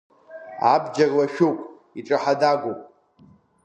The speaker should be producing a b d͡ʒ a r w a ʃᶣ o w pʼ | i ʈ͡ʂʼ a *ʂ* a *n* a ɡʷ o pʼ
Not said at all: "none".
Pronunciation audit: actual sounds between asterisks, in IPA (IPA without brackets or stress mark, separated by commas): ħ, d